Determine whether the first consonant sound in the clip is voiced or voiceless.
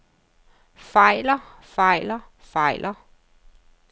voiceless